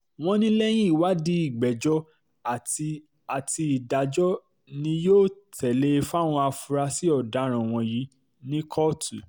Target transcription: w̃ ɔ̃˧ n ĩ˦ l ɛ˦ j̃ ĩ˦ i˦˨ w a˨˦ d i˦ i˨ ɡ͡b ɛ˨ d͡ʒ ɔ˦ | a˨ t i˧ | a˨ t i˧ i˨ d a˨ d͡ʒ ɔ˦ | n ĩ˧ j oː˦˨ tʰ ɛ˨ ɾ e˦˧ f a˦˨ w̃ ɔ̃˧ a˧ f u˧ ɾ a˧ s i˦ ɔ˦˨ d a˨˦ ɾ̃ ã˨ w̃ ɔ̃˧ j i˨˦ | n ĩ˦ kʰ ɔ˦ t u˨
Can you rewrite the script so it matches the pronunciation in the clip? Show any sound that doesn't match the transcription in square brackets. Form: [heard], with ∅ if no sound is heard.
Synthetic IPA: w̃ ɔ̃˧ n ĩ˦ l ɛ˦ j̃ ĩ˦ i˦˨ w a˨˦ d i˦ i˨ ɡ͡b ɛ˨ d͡ʒ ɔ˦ | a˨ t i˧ | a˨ t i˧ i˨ d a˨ d͡ʒ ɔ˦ | n ĩ˧ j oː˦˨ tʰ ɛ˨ [l] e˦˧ f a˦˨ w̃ ɔ̃˧ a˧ f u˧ ɾ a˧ s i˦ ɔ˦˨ d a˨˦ ɾ̃ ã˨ w̃ ɔ̃˧ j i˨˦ | n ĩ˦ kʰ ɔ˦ t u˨